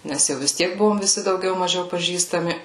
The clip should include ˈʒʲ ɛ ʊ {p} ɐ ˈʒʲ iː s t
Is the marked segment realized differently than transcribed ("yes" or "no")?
no